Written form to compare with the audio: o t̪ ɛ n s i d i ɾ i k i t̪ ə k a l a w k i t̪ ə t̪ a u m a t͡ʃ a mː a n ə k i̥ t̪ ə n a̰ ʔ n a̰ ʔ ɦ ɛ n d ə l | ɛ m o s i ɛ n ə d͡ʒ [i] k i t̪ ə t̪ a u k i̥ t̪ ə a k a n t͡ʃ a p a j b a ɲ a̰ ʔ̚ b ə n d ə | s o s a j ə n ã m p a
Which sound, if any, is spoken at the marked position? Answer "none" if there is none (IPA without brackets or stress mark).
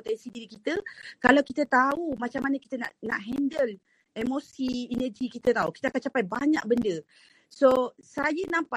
i